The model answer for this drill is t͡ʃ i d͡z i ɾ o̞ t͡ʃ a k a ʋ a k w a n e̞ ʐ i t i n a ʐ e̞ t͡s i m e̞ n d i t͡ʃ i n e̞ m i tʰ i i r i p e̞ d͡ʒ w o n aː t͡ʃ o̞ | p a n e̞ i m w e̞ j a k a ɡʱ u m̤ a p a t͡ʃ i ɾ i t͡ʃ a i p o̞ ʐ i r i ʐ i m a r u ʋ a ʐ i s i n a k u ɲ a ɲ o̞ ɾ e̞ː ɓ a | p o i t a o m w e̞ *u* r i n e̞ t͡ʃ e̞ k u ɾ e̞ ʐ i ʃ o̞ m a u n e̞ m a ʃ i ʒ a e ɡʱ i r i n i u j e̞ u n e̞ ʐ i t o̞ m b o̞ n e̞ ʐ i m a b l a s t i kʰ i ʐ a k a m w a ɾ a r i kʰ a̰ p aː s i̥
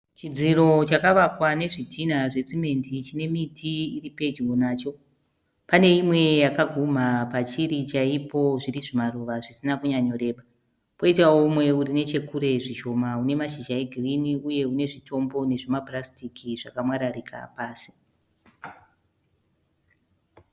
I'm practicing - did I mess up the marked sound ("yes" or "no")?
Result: no